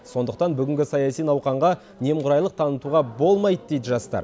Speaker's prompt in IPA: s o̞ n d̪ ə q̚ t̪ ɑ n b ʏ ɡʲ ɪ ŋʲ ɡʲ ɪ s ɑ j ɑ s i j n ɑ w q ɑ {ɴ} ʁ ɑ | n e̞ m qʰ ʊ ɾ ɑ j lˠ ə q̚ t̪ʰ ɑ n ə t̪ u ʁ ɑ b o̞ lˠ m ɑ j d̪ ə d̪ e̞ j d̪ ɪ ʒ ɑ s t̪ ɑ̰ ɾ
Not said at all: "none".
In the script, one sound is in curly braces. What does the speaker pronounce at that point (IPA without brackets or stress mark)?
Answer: ɴ